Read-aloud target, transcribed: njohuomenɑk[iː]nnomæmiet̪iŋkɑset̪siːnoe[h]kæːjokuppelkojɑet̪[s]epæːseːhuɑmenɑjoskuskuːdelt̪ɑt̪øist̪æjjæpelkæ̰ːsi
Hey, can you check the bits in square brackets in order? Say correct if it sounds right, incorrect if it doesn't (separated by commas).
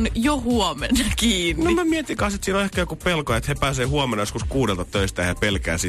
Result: correct, correct, incorrect